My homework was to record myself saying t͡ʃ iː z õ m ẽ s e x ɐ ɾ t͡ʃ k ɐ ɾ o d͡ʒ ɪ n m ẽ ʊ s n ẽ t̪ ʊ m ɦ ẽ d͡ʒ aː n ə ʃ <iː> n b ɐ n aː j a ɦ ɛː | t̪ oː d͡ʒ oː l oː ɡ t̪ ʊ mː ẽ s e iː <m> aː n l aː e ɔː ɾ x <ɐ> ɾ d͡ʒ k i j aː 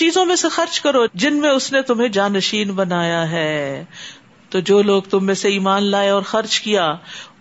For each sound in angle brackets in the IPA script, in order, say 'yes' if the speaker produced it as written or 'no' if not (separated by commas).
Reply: yes, yes, yes